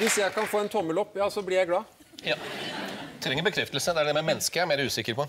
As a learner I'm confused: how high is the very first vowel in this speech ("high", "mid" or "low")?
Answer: high